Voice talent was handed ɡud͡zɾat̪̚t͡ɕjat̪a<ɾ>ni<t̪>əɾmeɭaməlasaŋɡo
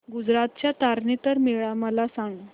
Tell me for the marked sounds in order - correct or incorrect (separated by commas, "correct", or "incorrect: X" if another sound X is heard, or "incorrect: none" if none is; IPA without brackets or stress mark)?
correct, correct